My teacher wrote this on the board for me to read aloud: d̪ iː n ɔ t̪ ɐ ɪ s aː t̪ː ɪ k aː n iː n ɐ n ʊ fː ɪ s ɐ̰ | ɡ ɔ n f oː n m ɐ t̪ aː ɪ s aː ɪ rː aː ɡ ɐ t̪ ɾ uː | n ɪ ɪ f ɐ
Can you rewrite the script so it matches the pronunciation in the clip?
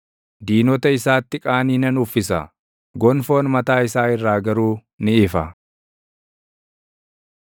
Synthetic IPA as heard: d̪ iː n ɔ t̪ ɐ ɪ s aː t̪ː ɪ kʼ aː n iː n ɐ n ʊ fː ɪ s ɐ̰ | ɡ ɔ n f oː n m ɐ t̪ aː ɪ s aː ɪ rː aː ɡ ɐ ɾ uː | n ɪ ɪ f ɐ